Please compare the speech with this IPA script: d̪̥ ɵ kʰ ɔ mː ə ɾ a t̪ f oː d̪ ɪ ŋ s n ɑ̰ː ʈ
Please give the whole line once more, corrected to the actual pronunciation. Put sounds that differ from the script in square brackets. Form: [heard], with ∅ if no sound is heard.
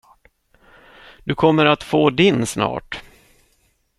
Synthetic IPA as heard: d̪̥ ɵ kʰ ɔ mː ə ɾ a t̪ f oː d̪ ɪ [n] s n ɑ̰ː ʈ